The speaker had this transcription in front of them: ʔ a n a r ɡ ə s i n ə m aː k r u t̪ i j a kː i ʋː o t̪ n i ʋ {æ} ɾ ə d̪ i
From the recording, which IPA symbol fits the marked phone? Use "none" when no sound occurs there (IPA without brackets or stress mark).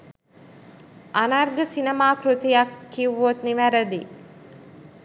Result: æ